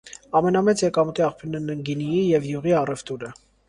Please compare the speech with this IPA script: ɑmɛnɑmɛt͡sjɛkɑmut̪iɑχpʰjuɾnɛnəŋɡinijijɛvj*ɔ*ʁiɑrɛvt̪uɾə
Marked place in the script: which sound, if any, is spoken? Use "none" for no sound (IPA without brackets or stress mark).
u